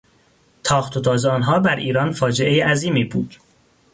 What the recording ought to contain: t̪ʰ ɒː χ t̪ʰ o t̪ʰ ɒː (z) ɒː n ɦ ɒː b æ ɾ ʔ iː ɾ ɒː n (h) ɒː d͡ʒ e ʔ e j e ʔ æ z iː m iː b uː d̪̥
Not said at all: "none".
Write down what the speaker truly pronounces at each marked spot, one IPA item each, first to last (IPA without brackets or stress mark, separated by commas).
z, f